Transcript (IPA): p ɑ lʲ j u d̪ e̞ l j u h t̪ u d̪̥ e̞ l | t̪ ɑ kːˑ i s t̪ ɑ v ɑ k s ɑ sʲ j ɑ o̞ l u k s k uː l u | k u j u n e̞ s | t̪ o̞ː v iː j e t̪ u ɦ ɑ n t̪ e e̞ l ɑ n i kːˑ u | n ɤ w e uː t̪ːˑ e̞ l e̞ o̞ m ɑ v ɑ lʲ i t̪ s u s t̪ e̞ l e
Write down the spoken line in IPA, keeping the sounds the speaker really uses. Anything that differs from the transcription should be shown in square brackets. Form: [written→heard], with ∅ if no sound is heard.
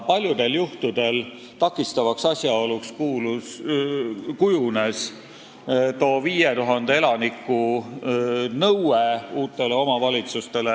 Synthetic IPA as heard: p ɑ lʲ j u d̪ e̞ l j u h t̪ u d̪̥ e̞ l | t̪ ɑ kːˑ i s t̪ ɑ v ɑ k s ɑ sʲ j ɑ o̞ l u k s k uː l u | k u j u n e̞ s | t̪ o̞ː v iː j e t̪ u ɦ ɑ n [t̪→d̪] e e̞ l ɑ n i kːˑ u | n ɤ w e uː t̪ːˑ e̞ l e̞ o̞ m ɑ v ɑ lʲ i t̪ s u s t̪ e̞ l e